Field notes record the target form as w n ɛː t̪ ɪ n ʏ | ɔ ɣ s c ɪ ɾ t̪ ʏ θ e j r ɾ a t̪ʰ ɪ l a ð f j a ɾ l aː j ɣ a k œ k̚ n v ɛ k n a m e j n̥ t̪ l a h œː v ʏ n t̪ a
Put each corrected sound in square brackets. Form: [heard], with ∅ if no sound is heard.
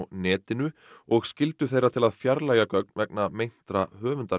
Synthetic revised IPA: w n ɛː t̪ ɪ n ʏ | ɔ ɣ s c ɪ [l] t̪ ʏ θ e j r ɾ a t̪ʰ ɪ l a ð f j a ɾ l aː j ɣ a k œ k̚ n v ɛ k n a m e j n̥ t̪ [ɾ] a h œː v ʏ n t̪ a